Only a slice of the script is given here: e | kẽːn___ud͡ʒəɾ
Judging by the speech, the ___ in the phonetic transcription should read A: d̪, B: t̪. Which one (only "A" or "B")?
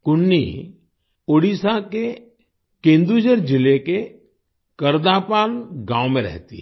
A